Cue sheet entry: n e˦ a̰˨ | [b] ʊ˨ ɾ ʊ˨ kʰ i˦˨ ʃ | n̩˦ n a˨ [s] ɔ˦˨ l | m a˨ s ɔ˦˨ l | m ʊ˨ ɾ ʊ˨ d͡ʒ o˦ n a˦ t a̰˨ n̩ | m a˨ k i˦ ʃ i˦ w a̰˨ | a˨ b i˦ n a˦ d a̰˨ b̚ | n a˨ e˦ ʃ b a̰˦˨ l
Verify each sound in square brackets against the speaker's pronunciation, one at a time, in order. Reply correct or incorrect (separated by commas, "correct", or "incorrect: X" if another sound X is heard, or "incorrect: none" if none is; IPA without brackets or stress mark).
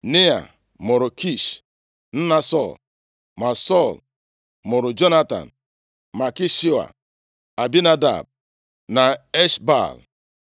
incorrect: m, correct